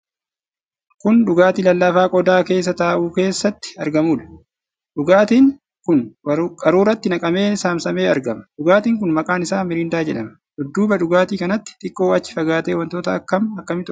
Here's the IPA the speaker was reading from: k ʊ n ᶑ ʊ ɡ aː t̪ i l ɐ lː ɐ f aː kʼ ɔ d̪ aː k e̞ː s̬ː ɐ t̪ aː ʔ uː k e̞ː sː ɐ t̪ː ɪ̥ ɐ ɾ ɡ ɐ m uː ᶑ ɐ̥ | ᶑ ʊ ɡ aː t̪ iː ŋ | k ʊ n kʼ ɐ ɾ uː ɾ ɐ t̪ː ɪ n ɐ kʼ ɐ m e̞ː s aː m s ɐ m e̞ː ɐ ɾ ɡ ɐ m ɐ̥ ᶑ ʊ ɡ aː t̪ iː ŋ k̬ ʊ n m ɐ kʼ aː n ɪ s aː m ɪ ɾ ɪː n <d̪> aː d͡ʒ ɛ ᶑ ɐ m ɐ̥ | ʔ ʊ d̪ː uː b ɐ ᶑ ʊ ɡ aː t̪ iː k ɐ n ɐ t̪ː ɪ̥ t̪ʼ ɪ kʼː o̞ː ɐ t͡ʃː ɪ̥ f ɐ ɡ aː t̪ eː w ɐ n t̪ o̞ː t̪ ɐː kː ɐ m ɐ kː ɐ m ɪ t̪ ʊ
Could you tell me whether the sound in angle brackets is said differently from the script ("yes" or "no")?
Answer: no